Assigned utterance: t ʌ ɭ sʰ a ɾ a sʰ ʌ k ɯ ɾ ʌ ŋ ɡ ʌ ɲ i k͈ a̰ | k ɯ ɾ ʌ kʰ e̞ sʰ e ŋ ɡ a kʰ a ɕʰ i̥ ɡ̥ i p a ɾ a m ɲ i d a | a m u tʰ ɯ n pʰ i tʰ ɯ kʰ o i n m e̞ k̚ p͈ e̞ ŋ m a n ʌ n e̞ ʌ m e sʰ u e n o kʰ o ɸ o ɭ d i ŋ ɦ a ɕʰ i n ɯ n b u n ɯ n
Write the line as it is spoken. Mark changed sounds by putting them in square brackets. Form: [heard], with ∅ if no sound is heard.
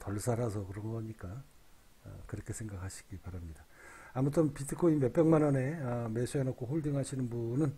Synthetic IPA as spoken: t ʌ ɭ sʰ a ɾ a sʰ ʌ k ɯ ɾ ʌ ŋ ɡ ʌ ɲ i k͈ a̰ | k ɯ ɾ ʌ kʰ e̞ sʰ e ŋ ɡ a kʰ a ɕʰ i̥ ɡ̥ i p a ɾ a m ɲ i d a | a m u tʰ ɯ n [p] i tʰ ɯ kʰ o i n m e̞ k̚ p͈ e̞ ŋ m a n ʌ n e̞ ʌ m e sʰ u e n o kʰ o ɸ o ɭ d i ŋ ɦ a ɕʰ i n ɯ n b u n ɯ n